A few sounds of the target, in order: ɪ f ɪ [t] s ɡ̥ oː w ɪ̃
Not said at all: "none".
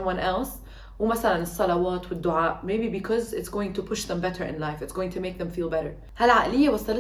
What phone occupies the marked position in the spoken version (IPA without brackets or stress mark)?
t